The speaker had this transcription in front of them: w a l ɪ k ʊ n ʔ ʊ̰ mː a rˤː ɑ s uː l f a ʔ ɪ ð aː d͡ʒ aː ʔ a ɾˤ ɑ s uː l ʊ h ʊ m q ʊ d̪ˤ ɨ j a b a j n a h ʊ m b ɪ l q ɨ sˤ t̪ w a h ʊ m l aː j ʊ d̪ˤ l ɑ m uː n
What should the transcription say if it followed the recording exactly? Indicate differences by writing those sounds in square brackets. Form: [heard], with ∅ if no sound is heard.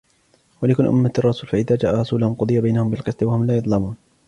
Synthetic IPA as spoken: w a l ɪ k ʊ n ʔ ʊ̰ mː a rˤː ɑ s uː l f a ʔ ɪ ð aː d͡ʒ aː ʔ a ɾˤ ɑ s uː l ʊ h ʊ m q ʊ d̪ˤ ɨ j a b a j n a h ʊ m b ɪ l q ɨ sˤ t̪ w a h ʊ m l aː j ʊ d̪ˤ l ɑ m uː n